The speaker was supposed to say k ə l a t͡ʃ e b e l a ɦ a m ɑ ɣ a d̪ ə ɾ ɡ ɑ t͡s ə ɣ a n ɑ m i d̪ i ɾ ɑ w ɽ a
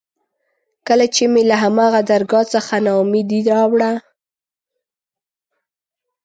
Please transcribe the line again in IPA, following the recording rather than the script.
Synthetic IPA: k ə l a t͡ʃ e m e l a ɦ a m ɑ ɣ a d̪ a ɾ ɡ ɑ t͡s ə x a n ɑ m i d̪ i ɾ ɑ w ɽ a